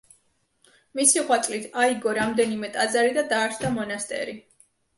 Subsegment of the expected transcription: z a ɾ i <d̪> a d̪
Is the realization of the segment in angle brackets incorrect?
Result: no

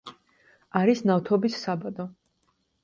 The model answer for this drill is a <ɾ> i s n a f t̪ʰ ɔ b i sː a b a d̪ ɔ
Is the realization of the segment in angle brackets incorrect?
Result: no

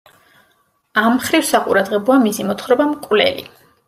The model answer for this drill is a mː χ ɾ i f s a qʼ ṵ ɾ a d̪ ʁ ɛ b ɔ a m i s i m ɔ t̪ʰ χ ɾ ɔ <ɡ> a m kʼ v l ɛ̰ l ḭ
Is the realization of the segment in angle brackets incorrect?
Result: yes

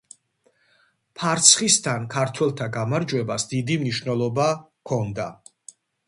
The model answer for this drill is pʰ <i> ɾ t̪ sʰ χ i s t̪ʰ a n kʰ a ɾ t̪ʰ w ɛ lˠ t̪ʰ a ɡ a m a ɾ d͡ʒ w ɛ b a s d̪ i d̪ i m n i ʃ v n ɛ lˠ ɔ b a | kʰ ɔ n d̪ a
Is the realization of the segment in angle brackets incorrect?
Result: yes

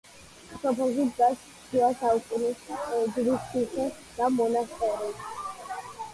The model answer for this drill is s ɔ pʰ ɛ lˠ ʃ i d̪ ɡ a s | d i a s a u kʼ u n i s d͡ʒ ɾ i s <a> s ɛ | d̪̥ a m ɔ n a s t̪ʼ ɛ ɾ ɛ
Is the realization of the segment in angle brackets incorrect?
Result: yes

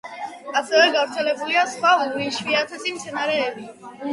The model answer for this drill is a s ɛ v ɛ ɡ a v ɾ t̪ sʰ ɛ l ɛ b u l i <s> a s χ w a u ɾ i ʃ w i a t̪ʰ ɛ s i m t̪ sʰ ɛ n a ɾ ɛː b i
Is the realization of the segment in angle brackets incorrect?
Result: yes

